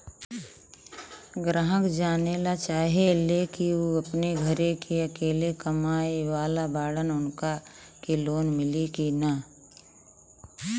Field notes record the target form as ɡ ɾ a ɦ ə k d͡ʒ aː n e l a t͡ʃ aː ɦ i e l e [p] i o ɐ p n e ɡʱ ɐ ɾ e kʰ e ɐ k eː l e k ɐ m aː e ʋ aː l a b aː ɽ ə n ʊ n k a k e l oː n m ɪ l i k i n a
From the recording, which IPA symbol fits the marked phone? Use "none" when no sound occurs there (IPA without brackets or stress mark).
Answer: k